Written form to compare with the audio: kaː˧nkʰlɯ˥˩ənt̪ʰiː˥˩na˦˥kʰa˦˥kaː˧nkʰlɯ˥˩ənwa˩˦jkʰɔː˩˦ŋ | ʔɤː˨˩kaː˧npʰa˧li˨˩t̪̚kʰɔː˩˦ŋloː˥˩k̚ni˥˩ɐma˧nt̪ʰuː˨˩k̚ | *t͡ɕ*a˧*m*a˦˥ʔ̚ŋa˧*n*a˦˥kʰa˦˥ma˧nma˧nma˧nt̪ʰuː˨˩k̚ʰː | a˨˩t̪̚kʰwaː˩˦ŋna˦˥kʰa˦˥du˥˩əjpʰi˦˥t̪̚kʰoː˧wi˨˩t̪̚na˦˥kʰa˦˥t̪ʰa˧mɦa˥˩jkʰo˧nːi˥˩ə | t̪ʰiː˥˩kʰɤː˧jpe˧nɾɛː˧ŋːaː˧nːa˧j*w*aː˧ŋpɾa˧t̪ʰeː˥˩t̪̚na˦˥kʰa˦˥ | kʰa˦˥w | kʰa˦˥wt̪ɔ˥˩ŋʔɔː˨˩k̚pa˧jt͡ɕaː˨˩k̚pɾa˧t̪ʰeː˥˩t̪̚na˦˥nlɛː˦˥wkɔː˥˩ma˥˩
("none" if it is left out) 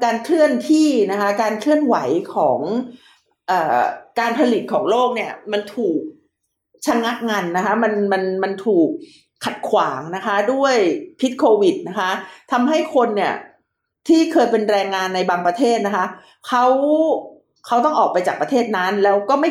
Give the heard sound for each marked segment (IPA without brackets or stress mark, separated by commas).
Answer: t͡ɕʰ, ŋ, nː, b